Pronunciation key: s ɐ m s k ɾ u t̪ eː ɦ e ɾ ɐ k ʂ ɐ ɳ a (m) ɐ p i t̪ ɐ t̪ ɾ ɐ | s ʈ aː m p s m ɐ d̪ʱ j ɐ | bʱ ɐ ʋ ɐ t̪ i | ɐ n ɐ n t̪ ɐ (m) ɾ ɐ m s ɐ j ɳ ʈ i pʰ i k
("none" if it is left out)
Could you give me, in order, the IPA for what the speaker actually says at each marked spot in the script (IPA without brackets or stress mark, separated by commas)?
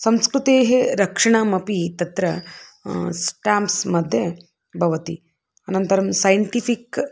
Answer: m, none